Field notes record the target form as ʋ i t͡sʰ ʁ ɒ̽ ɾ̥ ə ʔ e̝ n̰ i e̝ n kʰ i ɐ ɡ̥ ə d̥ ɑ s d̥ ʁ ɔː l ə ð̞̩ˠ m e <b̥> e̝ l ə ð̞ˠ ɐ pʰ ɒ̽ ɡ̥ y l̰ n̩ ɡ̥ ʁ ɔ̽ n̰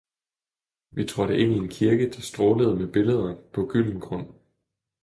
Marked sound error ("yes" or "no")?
no